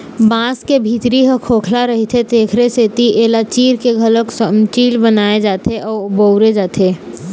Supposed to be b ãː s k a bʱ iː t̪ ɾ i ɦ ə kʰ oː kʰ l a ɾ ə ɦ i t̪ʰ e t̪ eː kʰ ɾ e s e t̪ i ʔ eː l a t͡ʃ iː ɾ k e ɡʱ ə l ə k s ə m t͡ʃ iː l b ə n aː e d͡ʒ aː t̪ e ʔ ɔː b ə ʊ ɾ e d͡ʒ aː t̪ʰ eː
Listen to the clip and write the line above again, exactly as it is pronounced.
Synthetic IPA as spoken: b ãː s k e bʱ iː t̪ ɾ i ɦ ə kʰ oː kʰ l a ɾ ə ɦ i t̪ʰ e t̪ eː kʰ ɾ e s e t̪ i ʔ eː l a t͡ʃ iː ɾ k e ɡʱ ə l ə k s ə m t͡ʃ iː l b ə n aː e d͡ʒ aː t̪ e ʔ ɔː b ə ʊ ɾ e d͡ʒ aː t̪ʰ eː